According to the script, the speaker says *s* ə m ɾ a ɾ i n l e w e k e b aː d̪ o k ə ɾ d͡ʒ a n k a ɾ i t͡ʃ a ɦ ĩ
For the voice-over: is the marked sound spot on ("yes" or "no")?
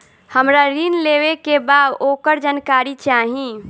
no